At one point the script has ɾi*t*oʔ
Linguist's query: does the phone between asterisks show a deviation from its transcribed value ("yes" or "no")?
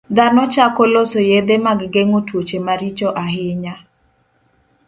yes